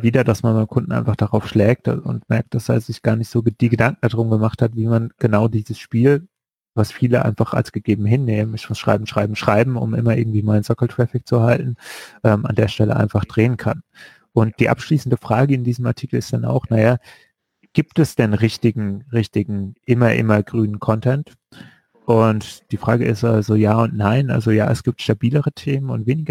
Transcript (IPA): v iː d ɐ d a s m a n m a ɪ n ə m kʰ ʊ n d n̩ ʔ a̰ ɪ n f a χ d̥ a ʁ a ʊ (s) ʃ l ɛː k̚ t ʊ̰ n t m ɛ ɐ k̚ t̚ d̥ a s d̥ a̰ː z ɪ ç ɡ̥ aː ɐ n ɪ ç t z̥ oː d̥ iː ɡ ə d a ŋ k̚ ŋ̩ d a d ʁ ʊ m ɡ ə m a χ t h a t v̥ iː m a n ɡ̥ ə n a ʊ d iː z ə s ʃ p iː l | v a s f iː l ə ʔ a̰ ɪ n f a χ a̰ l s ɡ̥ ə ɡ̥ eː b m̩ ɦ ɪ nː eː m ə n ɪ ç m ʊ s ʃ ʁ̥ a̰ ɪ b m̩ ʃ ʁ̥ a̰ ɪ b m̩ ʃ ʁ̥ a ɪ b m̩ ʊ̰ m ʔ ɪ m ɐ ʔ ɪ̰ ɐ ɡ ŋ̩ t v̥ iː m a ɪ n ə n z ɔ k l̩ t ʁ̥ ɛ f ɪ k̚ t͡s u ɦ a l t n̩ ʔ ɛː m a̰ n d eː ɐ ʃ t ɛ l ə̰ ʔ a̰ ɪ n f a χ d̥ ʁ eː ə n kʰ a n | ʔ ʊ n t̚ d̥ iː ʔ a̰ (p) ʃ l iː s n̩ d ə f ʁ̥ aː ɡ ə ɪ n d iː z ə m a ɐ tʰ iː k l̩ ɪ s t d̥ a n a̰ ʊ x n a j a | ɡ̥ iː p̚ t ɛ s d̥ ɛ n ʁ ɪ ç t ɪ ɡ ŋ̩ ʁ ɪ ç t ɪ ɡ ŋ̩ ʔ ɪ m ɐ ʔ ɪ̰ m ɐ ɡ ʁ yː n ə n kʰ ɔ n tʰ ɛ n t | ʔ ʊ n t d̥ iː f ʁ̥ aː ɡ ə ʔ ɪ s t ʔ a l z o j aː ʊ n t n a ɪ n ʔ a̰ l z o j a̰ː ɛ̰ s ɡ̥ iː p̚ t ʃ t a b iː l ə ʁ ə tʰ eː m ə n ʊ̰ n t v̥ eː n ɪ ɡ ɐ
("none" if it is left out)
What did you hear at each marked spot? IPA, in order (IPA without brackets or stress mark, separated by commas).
f, p